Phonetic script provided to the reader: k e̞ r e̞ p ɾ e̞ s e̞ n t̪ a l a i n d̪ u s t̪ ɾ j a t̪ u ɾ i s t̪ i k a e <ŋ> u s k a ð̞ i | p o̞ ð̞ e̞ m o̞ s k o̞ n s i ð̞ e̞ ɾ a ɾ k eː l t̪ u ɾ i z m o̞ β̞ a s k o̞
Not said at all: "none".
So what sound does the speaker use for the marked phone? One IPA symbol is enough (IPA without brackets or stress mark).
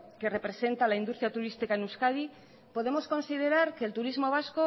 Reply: n